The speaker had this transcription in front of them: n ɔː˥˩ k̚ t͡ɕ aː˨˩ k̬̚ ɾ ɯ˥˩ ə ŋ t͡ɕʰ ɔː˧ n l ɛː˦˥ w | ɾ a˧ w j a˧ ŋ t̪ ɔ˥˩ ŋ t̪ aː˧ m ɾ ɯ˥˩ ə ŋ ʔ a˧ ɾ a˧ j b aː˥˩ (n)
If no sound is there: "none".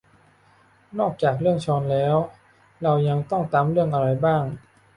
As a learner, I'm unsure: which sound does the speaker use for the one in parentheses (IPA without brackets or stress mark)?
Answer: ŋ